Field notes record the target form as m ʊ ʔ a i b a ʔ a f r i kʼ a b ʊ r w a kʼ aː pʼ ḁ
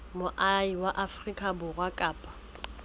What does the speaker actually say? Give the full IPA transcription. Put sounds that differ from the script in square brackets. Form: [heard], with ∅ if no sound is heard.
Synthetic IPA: m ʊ ʔ a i [w] a ʔ a f r i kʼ a b ʊ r w a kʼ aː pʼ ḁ